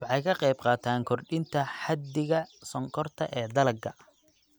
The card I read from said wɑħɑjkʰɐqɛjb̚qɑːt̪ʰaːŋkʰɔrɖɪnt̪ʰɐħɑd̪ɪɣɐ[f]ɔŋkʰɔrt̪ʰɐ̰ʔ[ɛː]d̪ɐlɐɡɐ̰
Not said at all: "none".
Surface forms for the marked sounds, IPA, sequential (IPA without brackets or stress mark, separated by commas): s, ɛː